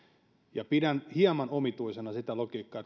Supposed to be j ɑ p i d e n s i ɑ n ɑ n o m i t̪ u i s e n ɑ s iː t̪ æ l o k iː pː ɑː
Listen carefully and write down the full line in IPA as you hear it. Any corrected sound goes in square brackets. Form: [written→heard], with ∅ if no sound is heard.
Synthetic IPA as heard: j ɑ p i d [e→æ] n [s→h] i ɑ [n→m] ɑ n o m i t̪ u i s e n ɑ s [iː→i] t̪ æ l o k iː [pː→kː] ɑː